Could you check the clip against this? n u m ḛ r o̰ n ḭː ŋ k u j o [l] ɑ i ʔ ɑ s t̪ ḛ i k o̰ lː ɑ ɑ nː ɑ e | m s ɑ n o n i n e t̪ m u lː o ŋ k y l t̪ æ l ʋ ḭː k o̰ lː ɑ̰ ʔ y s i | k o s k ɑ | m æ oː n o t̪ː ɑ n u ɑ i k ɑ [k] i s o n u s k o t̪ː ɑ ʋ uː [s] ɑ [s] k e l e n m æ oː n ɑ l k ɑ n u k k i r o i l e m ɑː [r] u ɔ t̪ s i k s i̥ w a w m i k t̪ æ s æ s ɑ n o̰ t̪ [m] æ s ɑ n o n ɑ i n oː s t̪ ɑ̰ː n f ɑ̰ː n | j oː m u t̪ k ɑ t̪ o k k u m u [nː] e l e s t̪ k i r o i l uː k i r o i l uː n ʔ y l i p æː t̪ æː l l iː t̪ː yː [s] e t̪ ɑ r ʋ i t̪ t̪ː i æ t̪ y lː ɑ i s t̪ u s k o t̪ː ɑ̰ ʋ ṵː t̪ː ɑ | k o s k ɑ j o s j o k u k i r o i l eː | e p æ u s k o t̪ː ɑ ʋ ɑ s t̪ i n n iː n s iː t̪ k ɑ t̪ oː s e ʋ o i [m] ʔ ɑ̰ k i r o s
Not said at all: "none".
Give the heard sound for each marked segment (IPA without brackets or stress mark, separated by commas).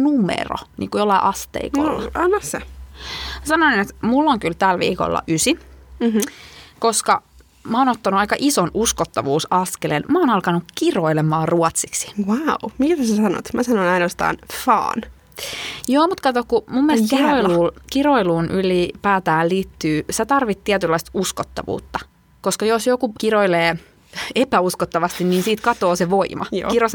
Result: lː, ʔ, s, s, r, m, mː, s, m